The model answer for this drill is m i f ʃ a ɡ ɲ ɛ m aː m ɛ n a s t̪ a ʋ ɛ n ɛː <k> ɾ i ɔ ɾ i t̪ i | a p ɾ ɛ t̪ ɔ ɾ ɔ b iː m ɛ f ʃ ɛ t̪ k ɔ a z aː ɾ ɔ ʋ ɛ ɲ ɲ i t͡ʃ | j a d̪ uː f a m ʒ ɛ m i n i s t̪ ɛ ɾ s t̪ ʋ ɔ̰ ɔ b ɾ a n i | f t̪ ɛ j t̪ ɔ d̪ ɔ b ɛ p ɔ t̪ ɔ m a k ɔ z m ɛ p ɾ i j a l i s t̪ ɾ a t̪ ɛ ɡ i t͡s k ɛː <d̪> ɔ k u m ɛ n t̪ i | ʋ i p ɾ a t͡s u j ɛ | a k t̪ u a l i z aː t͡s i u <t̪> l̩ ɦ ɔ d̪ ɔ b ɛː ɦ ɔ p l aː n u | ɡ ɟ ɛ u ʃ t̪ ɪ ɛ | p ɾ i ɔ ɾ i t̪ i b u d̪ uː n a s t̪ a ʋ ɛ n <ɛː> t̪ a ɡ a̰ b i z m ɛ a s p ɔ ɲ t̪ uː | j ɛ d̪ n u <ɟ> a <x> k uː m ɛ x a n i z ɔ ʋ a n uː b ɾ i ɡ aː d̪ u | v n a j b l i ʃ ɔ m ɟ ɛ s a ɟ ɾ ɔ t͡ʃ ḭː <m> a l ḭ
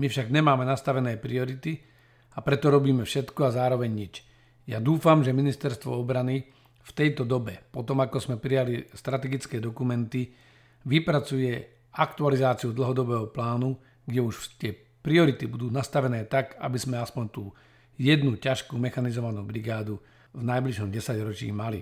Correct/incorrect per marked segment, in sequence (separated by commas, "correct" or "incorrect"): incorrect, correct, incorrect, correct, incorrect, incorrect, correct